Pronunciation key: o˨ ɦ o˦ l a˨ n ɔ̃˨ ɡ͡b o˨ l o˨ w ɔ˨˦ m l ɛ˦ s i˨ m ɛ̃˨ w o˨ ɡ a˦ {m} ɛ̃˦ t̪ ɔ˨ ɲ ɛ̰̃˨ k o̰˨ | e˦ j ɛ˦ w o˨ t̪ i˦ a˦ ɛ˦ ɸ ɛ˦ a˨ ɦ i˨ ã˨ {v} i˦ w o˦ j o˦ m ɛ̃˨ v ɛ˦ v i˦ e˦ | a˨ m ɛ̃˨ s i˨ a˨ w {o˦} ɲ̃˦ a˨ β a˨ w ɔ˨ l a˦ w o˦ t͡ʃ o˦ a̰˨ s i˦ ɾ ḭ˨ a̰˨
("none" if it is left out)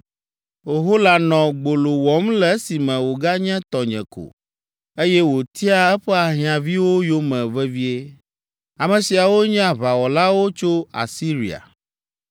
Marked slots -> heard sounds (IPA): ɲ, v, o˦

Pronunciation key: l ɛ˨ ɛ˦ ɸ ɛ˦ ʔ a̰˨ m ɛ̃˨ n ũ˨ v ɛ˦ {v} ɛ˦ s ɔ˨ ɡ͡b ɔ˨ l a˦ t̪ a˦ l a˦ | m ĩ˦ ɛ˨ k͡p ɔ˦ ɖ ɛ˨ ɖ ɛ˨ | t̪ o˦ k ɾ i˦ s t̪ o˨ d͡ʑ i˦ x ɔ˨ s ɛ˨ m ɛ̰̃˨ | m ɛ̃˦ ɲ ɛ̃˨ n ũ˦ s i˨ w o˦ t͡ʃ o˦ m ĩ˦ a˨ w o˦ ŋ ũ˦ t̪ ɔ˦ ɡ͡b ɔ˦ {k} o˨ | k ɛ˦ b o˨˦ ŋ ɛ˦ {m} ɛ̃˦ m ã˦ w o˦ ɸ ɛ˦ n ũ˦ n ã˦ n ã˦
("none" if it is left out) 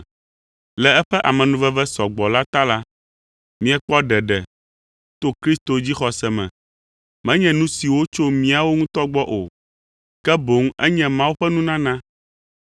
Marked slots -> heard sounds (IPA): v, ʔ, ɲ

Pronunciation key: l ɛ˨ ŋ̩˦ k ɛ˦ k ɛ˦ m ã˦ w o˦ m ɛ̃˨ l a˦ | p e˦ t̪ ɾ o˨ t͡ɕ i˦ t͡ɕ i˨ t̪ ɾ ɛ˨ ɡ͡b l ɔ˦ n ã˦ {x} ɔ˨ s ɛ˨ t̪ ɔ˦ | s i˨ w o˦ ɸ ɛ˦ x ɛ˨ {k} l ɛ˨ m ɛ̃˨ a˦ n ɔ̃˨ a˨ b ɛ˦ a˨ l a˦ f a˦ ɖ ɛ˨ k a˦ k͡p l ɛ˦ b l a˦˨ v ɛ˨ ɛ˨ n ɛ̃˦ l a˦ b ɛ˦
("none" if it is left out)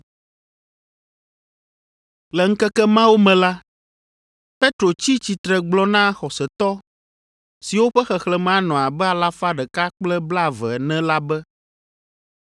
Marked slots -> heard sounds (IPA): x, x

